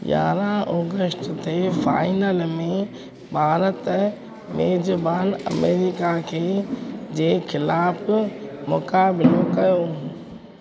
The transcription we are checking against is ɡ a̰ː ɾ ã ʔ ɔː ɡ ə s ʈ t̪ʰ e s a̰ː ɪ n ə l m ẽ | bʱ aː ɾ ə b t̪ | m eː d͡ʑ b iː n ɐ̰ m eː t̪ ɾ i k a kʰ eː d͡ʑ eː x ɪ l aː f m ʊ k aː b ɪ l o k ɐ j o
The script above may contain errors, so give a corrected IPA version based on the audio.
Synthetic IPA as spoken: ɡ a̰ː ɾ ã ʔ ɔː ɡ ə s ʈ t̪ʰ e f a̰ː ɪ n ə l m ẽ | bʱ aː ɾ ə t̪ | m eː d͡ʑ b aː n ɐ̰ m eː ɾ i k a kʰ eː d͡ʑ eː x ɪ l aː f m ʊ k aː b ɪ l o k ɐ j o